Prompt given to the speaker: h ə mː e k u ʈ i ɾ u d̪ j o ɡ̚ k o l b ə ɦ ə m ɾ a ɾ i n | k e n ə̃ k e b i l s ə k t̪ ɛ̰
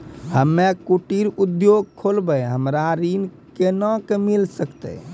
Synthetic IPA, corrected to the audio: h ə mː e k u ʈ i ɾ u d̪ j o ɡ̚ kʰ o l b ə ɦ ə m ɾ a ɾ i n | k e n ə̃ k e m i l s ə k t̪ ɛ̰